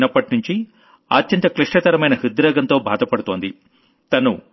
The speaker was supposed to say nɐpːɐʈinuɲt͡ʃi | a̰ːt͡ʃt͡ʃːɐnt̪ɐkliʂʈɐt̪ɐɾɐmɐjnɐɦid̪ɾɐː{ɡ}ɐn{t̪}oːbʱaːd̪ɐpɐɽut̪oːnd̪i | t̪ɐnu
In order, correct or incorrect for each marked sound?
correct, correct

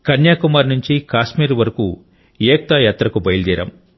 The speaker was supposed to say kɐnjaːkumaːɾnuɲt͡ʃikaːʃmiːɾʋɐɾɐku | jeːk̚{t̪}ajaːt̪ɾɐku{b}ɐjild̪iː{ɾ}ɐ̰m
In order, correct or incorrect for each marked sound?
correct, correct, correct

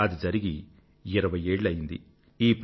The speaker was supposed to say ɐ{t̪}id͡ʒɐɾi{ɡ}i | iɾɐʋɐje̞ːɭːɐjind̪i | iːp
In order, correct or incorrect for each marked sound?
incorrect: d̪, correct

